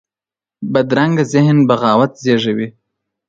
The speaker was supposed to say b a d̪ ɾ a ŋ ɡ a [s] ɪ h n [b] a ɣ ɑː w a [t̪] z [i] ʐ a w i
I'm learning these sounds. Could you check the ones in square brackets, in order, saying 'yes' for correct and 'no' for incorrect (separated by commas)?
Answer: no, yes, yes, no